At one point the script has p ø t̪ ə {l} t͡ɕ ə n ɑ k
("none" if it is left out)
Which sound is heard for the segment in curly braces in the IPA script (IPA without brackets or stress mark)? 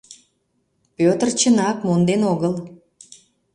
r